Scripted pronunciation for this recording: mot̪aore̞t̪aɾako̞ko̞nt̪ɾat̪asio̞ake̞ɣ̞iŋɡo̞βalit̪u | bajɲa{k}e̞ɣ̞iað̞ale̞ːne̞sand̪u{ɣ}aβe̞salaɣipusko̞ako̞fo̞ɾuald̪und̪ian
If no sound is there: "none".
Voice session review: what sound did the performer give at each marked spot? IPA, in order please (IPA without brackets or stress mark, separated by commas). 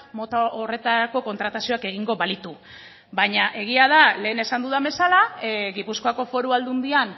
ʔ, ð